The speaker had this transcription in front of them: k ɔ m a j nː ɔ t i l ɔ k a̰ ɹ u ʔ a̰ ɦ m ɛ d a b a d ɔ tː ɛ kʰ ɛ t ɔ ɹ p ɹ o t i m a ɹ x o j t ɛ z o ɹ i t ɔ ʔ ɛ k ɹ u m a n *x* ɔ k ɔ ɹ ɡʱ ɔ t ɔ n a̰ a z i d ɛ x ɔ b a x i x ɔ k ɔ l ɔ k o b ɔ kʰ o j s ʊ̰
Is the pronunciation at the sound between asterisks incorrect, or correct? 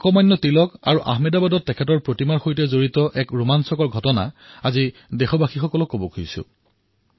incorrect